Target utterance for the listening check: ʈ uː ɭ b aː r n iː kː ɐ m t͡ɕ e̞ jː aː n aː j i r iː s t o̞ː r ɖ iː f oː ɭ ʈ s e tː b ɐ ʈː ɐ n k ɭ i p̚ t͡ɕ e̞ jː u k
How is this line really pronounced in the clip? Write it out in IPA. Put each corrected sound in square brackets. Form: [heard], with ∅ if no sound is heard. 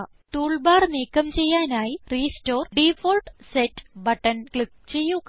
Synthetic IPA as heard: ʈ uː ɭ b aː r n iː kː ɐ m t͡ɕ e̞ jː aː n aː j i r iː s t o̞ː r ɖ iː f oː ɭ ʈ s e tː b ɐ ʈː ɐ n k ɭ i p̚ t͡ɕ e̞ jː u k

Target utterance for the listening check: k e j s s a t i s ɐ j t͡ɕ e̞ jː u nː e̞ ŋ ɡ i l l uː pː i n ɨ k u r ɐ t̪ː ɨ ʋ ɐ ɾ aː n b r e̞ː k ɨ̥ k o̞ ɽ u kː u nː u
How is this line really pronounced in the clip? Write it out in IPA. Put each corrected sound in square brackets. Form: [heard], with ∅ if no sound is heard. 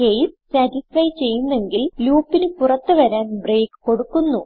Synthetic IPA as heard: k e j s s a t i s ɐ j t͡ɕ e̞ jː u nː e̞ ŋ ɡ i l l uː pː i n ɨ [p] u r ɐ t̪ː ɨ ʋ ɐ ɾ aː n b r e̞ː k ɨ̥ k o̞ ɽ u kː u nː u

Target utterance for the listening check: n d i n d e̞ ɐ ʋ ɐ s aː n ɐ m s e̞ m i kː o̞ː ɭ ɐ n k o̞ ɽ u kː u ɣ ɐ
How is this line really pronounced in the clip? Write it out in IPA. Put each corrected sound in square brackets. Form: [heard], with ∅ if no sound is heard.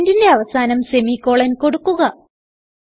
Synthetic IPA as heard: n d i n d e̞ ɐ ʋ ɐ s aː n ɐ m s e̞ m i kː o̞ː ɭ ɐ n k o̞ ɽ u kː u ɣ ɐ

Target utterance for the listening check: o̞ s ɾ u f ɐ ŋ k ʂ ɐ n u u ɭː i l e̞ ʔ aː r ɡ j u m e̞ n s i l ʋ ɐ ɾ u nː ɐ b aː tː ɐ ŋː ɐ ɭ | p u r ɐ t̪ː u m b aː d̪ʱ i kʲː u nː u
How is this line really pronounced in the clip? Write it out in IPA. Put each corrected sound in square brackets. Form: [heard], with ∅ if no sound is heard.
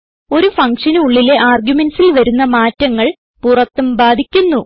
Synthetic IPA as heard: o̞ [∅] ɾ u f ɐ ŋ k ʂ ɐ n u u ɭː i l e̞ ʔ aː r ɡ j u m e̞ n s i l ʋ ɐ ɾ u nː ɐ [m] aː tː ɐ ŋː ɐ ɭ | p u r ɐ t̪ː u m b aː d̪ʱ i kʲː u nː u

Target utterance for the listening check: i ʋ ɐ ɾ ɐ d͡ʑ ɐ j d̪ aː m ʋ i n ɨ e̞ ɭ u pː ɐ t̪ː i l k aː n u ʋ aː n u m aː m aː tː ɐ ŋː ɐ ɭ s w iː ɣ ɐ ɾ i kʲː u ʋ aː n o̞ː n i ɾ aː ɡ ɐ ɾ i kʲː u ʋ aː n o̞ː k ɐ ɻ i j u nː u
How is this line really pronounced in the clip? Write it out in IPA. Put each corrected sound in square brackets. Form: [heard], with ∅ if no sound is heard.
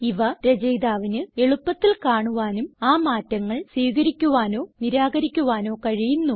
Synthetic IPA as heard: i ʋ ɐ ɾ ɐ d͡ʑ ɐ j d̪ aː [∅] ʋ i n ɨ e̞ ɭ u pː ɐ t̪ː i l k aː [ɳ] u ʋ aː n u m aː m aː tː ɐ ŋː ɐ ɭ s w iː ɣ ɐ ɾ i kʲː u ʋ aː n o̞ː n i ɾ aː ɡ ɐ ɾ i kʲː u ʋ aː n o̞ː k ɐ ɻ i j u nː u

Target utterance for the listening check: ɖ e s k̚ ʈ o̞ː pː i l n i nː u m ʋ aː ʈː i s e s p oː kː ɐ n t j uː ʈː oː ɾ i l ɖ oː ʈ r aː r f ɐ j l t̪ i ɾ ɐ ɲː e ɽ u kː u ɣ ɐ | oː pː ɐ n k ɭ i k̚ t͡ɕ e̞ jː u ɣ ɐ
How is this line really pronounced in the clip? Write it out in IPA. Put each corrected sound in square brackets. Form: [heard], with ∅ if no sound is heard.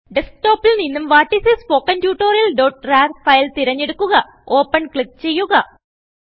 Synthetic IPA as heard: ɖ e s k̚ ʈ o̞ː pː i l n i nː u m ʋ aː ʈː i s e s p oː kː ɐ n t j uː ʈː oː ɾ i l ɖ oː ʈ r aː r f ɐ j l t̪ i ɾ ɐ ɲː e ɽ u kː u ɣ ɐ | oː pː ɐ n k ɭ i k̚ t͡ɕ e̞ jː u ɣ ɐ

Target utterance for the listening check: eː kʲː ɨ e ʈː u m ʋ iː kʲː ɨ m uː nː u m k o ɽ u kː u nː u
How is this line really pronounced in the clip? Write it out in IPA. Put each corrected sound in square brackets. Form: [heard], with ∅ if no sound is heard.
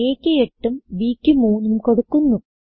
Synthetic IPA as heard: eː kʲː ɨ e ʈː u m ʋ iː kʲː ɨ m uː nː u m k o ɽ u kː u nː u

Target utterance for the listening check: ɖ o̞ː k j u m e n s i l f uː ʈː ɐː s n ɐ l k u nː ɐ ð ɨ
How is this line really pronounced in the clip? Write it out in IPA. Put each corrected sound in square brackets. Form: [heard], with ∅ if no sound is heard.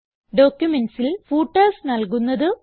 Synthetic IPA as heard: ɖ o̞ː k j u m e n s i l f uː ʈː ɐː s n ɐ l k u nː ɐ ð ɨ

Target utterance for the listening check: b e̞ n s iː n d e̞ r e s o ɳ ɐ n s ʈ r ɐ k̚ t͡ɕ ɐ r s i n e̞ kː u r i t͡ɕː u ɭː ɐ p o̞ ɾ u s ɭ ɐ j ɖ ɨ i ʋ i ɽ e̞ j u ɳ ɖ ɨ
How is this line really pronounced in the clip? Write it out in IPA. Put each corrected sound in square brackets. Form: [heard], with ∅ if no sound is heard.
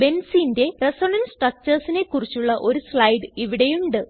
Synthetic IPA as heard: b e̞ n s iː n d e̞ r e s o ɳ ɐ n s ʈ r ɐ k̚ t͡ɕ ɐ r s i n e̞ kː u r i t͡ɕː u ɭː ɐ [ʔ] o̞ ɾ u s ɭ ɐ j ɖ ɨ i ʋ i ɽ e̞ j u ɳ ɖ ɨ

